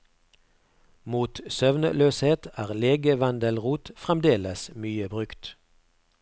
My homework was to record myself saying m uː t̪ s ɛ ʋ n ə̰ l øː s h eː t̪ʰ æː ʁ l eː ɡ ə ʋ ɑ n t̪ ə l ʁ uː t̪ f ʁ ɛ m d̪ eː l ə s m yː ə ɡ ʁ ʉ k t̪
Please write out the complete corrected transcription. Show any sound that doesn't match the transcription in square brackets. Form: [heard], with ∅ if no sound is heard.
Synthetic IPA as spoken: m uː t̪ s [œ] ʋ n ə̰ l øː s h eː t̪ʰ æː ʁ l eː ɡ ə ʋ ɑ n [d̪] ə l ʁ uː t̪ f ʁ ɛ m d̪ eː l ə s m yː ə [b] ʁ ʉ k t̪